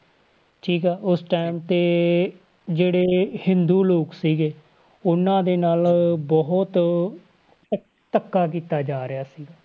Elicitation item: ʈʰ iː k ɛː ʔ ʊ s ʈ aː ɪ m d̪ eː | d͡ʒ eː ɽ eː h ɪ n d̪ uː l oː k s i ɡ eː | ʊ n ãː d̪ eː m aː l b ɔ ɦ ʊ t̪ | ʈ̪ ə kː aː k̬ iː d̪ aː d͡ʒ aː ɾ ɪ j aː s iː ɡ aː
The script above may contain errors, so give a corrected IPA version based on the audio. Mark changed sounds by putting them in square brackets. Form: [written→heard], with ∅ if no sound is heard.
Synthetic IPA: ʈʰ iː k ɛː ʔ ʊ s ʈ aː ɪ m [d̪→t̪] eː | d͡ʒ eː ɽ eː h ɪ n d̪ uː l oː k s [i→iː] ɡ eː | ʊ n ãː d̪ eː [m→n] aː l b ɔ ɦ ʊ t̪ | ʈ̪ ə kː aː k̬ iː [d̪→t̪] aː d͡ʒ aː ɾ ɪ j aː s iː ɡ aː